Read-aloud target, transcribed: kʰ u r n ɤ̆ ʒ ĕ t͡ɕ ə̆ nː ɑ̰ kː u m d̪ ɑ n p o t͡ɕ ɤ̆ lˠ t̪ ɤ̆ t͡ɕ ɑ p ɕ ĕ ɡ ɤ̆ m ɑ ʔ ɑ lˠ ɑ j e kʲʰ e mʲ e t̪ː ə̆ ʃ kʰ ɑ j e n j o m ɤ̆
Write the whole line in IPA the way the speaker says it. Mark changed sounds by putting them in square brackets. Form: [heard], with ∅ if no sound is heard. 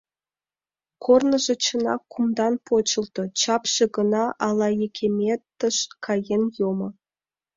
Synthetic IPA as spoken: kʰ [o] r n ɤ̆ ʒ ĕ t͡ɕ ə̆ [n] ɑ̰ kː u m d̪ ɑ n p o t͡ɕ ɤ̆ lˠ t̪ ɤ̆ t͡ɕ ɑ p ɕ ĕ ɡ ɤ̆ [n] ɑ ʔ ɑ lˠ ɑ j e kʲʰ e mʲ e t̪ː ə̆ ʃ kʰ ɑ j e n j o m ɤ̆